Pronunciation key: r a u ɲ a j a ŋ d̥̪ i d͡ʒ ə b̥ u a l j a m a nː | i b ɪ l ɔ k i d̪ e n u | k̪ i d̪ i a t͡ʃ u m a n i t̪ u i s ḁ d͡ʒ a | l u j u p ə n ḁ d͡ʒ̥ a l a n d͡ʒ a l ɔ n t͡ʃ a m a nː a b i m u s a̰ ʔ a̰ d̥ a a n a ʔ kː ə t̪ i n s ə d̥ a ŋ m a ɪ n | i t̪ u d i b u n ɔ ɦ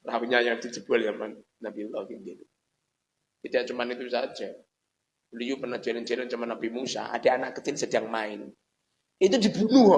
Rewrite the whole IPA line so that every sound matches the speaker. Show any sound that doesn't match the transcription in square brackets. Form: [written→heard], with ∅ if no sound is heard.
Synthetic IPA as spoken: r a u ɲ a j a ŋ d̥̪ i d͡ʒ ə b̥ u a l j a m a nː | [i→a] b [ɪ→i] l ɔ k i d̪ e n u | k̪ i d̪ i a t͡ʃ u m a n i t̪ u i s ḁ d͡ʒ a | l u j u p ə n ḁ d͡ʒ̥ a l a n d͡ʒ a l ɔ n t͡ʃ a m a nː a b i m u s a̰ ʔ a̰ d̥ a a n a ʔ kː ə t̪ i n s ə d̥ a ŋ m a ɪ n | i t̪ u d i b u n [ɔ→u] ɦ